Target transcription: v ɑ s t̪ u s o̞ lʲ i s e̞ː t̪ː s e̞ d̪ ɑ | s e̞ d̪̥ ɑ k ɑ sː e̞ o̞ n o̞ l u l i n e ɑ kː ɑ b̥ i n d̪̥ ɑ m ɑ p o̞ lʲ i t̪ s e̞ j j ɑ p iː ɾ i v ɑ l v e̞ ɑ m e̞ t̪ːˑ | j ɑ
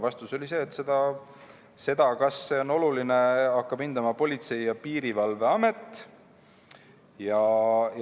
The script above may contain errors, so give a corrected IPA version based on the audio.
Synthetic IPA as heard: v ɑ s t̪ u s o̞ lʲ i s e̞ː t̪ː s e̞ d̪ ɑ | s e̞ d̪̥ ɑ k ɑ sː e̞ o̞ n o̞ l u l i n e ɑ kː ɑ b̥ i n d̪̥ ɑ m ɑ p o̞ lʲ i t̪ s e̞ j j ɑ p iː ɾ i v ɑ l v e̞ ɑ m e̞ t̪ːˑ | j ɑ